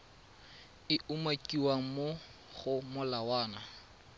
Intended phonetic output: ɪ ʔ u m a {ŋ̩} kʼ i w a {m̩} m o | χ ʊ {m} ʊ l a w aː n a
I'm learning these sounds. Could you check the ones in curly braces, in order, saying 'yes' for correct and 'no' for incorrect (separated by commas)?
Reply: no, no, yes